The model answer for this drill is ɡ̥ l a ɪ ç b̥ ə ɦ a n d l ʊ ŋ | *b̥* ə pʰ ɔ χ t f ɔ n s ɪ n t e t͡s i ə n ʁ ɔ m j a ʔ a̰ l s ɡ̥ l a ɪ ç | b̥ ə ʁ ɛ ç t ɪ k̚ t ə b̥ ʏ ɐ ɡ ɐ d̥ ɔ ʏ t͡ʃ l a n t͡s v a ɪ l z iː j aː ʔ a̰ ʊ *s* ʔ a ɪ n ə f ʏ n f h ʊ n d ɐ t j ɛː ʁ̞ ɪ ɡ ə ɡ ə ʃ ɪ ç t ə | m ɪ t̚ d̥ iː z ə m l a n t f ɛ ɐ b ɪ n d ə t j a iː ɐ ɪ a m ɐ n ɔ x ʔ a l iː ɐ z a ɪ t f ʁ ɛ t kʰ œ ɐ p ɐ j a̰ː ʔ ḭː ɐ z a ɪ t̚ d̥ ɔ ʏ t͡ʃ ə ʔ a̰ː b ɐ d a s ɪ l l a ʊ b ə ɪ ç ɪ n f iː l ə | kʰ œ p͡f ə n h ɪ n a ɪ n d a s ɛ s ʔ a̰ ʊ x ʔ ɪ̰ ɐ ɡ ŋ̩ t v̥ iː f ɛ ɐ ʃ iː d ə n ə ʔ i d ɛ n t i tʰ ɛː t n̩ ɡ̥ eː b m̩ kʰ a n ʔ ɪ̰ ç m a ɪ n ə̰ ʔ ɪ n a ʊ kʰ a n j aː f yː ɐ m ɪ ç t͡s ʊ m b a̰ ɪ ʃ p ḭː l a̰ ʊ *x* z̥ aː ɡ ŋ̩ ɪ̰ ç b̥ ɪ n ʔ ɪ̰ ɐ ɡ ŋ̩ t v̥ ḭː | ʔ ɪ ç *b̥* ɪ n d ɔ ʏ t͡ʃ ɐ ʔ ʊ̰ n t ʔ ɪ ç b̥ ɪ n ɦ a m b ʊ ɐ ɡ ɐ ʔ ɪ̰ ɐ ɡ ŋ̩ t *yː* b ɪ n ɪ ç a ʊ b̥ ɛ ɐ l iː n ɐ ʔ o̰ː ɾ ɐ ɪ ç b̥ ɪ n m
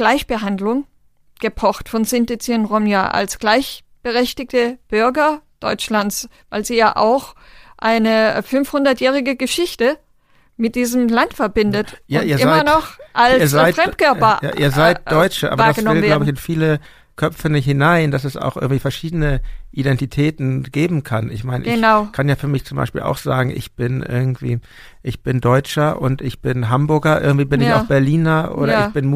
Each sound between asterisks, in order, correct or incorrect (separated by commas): incorrect, incorrect, correct, correct, incorrect